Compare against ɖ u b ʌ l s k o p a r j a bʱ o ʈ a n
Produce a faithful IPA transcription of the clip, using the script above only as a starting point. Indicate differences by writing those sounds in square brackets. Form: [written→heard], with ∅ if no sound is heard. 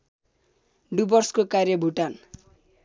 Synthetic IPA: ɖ u b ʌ [l→r] s k o [p→k] a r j [a→ʌ] bʱ [o→u] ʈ a n